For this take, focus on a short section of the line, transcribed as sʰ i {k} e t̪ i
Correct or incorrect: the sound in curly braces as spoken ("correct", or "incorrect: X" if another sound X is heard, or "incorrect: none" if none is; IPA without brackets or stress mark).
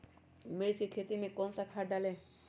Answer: incorrect: kʰ